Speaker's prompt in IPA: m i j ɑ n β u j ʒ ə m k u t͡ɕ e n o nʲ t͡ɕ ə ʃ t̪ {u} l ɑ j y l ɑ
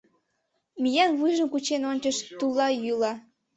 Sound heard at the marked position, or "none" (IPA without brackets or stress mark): u